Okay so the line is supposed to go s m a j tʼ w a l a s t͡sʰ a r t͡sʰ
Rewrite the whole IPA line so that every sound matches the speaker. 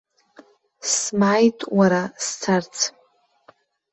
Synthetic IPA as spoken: s m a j tʼ w a ɾ a s t͡sʰ a r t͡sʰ